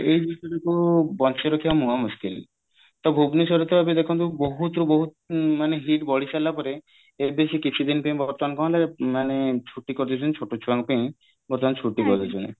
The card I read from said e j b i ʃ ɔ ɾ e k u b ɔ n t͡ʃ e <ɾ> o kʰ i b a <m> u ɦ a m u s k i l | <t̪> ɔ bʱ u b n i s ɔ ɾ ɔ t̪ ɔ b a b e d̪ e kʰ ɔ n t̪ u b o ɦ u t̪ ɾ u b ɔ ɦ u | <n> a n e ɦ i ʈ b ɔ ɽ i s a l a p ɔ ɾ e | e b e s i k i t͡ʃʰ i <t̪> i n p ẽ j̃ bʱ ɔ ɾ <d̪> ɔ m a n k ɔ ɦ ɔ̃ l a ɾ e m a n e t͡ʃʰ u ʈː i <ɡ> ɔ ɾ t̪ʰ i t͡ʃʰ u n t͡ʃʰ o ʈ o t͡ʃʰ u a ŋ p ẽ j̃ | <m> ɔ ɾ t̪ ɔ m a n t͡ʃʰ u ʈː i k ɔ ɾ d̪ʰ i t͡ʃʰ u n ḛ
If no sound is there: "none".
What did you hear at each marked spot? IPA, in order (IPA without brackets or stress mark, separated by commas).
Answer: ɾ, m, t̪, m, d̪, t̪, k, b